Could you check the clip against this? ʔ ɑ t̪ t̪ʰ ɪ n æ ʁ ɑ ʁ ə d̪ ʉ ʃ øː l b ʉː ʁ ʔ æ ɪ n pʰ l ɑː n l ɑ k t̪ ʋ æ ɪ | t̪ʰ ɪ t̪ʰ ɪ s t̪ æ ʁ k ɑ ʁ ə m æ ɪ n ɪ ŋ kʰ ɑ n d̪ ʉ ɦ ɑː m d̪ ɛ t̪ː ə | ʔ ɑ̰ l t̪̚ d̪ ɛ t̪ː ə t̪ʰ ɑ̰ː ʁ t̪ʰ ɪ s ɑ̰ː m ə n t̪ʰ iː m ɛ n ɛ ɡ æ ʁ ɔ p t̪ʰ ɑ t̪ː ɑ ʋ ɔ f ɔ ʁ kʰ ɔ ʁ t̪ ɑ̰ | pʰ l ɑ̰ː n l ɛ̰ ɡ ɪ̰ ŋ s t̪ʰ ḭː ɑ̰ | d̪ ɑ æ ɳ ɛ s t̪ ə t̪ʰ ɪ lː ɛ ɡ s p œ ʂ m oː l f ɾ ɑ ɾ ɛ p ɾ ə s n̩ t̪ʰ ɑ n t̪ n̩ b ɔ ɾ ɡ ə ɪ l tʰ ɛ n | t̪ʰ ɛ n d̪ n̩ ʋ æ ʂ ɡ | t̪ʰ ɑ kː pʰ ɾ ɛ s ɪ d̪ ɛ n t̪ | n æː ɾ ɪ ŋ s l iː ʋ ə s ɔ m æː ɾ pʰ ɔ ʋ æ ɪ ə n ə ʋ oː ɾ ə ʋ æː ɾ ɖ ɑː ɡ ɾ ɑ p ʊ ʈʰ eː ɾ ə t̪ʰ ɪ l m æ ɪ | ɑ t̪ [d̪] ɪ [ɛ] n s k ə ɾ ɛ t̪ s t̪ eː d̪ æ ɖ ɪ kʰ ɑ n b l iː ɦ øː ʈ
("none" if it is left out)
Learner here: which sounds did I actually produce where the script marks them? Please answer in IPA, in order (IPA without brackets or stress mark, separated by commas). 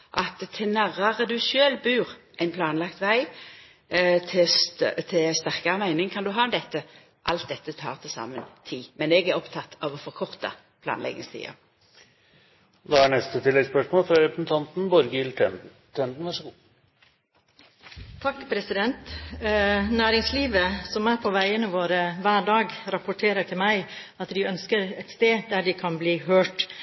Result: d̪, œ